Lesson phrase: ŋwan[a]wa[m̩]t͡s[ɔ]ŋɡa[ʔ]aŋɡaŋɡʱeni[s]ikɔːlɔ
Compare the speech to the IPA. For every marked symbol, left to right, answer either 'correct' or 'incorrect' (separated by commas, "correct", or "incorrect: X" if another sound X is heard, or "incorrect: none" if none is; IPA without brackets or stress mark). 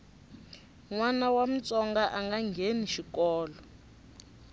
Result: correct, correct, correct, correct, incorrect: ʃ